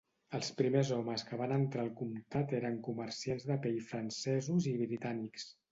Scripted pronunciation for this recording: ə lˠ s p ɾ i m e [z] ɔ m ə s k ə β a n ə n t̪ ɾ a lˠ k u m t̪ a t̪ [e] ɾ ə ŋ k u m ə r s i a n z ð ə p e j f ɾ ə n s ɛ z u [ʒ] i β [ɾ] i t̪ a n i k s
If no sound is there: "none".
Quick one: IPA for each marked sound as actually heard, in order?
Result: z, e, z, ɾ

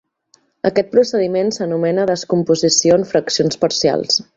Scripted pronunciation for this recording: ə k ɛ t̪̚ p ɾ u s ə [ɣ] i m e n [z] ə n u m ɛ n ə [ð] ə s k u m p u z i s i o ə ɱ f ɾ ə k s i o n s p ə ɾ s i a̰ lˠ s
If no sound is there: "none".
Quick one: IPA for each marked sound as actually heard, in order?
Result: ð, s, ð

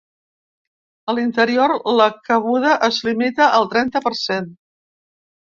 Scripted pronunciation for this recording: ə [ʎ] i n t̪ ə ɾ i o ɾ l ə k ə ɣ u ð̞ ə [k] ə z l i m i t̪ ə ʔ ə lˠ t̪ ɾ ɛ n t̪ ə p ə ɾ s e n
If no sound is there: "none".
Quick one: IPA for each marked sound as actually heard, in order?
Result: l, ʔ

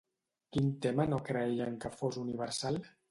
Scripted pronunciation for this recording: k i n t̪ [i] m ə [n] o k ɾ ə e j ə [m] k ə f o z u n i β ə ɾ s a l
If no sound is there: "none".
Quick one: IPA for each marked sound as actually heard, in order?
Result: e, n, ŋ

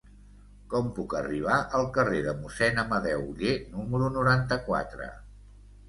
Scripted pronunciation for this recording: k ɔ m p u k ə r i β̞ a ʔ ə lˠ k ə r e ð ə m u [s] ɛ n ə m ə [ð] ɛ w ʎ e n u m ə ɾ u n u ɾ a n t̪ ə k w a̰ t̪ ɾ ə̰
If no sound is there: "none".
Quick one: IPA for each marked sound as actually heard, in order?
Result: s, ð

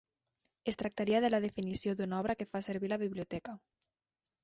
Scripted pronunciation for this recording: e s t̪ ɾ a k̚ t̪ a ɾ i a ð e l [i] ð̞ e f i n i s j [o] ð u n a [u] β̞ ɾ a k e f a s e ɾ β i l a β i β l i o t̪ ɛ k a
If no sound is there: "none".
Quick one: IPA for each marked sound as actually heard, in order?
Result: a, o, ɔ

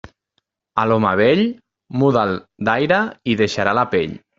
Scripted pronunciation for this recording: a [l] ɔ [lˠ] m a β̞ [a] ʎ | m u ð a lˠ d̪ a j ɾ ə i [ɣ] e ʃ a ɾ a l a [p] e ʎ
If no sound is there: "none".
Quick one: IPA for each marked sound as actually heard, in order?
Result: l, none, e, ð, p

